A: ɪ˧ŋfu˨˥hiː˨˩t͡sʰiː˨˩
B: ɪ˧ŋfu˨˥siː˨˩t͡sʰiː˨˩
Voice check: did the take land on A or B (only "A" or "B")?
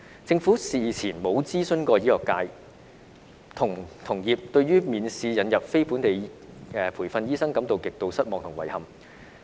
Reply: B